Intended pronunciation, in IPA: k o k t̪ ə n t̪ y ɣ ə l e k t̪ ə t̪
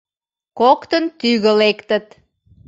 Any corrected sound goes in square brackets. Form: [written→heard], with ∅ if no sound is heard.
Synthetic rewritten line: k o k t̪ ə n t̪ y ɣ ə l e k t̪ ə t̪